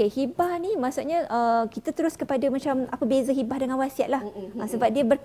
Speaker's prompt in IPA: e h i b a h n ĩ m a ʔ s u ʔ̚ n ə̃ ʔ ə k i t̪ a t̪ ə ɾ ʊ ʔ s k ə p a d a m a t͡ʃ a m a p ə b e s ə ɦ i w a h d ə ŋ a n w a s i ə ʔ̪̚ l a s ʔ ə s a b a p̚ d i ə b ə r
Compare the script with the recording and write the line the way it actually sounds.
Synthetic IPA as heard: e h i b a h n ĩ m a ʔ s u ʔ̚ ɲ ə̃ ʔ ə k i t̪ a t̪ ə ɾ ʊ s k ə p a d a m a t͡ʃ a m a p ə b e z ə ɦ i b a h d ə ŋ a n w a s i a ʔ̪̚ l a h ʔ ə s ə b a p̚ d i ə b ə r